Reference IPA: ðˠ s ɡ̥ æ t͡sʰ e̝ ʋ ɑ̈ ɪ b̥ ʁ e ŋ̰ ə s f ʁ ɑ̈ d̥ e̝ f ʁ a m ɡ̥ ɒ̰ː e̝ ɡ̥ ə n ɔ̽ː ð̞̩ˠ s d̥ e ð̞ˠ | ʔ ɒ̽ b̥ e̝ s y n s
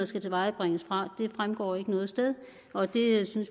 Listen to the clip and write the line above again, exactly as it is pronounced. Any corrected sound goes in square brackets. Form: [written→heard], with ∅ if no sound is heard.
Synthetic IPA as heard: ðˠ s ɡ̥ æ t͡sʰ e̝ ʋ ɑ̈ ɪ b̥ ʁ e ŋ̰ ə s f ʁ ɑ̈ d̥ e̝ f ʁ a m ɡ̥ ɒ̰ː e̝ ɡ̥ ə n ɔ̽ː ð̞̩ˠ s d̥ e ð̞ˠ | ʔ ɒ̽ [b̥→d̥] e̝ s y n s